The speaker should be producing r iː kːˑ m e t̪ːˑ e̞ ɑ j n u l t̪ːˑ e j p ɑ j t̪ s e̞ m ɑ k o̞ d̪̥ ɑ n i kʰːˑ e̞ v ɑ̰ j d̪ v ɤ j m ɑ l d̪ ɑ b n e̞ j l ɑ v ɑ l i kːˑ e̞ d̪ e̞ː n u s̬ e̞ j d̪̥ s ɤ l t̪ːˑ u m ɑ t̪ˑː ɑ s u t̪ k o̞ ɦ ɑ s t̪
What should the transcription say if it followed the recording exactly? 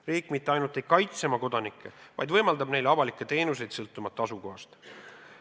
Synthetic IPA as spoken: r iː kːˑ m i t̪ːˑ e̞ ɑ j n u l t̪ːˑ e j k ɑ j t̪ s e̞ m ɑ k o̞ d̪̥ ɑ n i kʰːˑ e̞ v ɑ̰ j d̪ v ɤ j m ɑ l d̪ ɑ b n e̞ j l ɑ v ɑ l i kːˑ e̞ t̪ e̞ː n u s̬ e̞ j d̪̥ s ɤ l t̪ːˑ u m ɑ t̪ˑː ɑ s u k o̞ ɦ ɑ s t̪